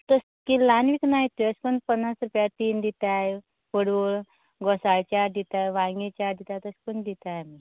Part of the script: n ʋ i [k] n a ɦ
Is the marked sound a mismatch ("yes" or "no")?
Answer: no